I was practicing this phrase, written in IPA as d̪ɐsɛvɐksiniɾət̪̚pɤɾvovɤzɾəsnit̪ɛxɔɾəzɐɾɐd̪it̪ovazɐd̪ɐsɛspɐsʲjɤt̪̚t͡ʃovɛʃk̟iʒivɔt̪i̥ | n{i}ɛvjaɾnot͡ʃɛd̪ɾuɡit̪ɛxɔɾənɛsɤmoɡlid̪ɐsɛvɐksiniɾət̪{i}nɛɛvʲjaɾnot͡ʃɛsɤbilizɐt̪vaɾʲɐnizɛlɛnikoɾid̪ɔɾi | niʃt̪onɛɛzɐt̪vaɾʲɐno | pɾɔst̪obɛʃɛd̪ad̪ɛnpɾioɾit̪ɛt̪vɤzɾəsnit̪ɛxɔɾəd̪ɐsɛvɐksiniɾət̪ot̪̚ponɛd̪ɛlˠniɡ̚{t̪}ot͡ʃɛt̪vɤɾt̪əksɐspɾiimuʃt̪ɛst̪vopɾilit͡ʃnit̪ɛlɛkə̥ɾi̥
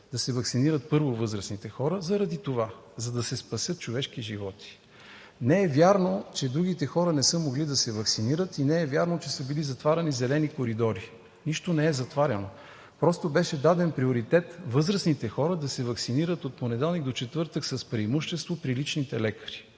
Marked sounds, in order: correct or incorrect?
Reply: incorrect, correct, incorrect

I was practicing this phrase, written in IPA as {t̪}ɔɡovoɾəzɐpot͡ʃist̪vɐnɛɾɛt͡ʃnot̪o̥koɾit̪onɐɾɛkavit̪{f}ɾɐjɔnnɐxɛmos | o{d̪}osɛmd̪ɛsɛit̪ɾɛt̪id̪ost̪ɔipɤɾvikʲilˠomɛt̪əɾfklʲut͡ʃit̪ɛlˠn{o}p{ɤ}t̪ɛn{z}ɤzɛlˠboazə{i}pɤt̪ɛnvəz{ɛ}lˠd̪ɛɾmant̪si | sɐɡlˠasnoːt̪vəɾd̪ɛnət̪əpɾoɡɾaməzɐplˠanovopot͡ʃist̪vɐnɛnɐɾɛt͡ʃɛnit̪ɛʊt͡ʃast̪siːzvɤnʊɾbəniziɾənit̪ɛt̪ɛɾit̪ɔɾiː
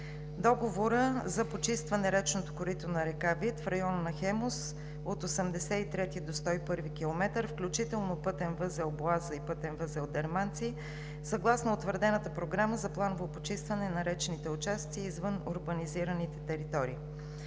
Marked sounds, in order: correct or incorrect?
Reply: incorrect, correct, incorrect, correct, correct, incorrect, correct, correct

